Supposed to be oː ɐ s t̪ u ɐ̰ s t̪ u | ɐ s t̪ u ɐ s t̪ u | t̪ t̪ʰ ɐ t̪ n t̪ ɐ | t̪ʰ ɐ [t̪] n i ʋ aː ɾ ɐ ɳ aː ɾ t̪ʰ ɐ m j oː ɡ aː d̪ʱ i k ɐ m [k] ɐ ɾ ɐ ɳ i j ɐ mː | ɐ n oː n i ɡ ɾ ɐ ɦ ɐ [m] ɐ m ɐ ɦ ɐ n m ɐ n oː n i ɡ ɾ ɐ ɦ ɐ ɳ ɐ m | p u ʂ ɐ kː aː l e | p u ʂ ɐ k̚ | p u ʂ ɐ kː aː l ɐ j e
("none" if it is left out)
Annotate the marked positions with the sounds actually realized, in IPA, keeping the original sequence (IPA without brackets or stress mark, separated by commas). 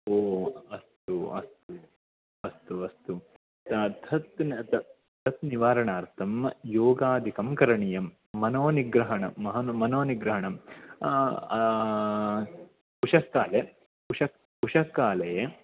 t̪, k, ɳ